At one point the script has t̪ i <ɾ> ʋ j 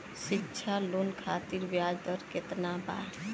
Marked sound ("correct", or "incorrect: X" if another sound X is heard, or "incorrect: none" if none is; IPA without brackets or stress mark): correct